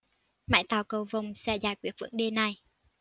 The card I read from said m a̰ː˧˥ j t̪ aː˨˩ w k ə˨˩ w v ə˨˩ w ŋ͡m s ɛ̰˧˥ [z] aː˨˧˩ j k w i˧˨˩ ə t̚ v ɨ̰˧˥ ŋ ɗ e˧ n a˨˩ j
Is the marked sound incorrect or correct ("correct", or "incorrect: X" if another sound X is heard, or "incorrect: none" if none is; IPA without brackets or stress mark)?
correct